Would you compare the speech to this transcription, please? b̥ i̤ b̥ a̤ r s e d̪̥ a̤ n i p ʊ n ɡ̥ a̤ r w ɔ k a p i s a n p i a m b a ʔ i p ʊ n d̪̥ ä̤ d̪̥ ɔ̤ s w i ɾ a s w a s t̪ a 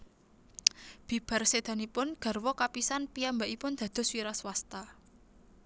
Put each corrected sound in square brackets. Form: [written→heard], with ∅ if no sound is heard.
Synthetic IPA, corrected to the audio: b̥ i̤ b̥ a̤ r s e d̪̥ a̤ n i p ʊ n ɡ̥ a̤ r w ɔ k a p i s a n p i a m b a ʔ i p ʊ n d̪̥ ä̤ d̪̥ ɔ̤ s w i ɾ a s w a s t̪ a